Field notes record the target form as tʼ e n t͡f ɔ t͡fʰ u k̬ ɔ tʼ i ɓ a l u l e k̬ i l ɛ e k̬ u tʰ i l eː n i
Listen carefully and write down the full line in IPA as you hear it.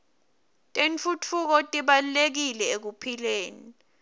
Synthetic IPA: tʼ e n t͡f u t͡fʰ u k̬ ɔ tʼ i ɓ a l u l e k̬ i l ɛ e k̬ u pʰ i l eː n i